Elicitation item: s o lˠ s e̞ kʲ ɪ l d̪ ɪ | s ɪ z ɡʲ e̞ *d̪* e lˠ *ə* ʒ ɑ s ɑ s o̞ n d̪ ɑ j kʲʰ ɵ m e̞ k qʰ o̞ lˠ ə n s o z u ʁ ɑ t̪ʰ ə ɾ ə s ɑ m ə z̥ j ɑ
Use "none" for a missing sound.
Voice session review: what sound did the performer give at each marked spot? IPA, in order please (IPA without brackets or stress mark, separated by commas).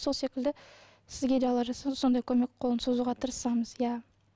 d̪, ɑ